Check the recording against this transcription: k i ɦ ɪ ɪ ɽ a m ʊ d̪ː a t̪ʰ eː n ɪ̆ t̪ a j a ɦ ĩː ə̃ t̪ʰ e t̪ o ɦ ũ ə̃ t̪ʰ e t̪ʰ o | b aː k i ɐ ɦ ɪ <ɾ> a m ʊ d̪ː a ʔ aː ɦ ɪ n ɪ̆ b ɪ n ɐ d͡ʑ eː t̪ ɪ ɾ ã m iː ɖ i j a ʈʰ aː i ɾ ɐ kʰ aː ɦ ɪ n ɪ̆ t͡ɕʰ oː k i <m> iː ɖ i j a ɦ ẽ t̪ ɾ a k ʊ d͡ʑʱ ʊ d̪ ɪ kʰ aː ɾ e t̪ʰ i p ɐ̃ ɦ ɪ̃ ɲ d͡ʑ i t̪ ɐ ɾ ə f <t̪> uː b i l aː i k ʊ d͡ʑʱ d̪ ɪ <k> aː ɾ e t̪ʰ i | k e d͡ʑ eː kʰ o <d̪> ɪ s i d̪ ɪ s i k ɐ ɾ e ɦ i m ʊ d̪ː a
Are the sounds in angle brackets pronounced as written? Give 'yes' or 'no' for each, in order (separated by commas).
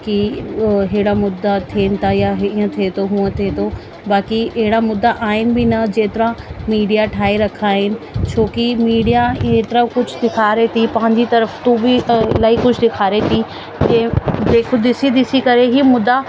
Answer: no, yes, yes, no, yes